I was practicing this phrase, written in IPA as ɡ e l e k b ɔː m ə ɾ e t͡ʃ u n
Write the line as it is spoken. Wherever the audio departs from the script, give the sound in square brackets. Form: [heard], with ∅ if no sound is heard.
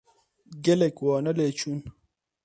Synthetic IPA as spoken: ɡ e l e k [w] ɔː [n] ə [l] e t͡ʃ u n